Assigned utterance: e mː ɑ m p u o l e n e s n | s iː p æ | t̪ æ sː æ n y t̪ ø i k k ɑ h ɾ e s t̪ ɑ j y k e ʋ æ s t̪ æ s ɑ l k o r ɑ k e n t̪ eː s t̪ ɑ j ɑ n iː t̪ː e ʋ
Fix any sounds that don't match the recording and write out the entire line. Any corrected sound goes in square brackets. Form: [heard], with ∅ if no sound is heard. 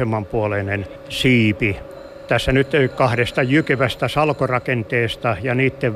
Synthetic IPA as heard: e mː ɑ m p u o l e n e [∅] n | s iː p [i] | t̪ æ sː æ n y t̪ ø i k k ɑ h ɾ e s t̪ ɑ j y k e ʋ æ s t̪ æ s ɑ l k o r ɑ k e n t̪ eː s t̪ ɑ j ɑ n iː t̪ː e ʋ